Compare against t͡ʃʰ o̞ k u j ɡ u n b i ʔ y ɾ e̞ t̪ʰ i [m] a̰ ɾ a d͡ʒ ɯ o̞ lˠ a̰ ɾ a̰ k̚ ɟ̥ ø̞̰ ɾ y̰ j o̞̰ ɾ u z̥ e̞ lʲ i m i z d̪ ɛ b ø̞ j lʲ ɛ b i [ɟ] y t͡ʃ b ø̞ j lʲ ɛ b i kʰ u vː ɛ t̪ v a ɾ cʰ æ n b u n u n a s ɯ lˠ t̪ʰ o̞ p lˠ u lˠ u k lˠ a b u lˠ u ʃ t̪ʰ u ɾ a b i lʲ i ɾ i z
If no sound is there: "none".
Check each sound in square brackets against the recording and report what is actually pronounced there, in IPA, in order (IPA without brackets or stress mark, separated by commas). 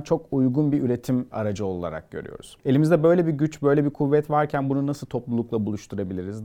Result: m, ɟ